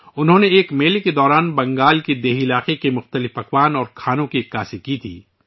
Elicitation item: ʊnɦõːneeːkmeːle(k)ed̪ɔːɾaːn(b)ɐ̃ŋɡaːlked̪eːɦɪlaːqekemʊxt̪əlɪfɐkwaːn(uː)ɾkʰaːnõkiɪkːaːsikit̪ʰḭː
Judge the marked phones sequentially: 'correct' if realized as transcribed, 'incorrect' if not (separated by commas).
correct, correct, incorrect